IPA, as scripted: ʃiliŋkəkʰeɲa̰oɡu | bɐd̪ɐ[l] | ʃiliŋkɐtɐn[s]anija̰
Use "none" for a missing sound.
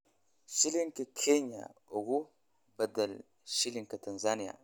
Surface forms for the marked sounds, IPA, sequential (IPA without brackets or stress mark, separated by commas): l, z